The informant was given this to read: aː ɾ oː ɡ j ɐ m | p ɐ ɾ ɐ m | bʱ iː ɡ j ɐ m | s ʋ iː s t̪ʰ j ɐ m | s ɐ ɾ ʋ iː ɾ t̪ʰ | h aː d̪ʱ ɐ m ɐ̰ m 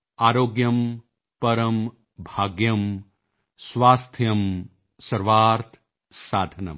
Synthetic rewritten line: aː ɾ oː ɡ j ɐ m | p ɐ ɾ ɐ m | bʱ aː ɡ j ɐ m | s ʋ aː s t̪ʰ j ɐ m | s ɐ ɾ ʋ aː ɾ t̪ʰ | s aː d̪ʱ ɐ n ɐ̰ m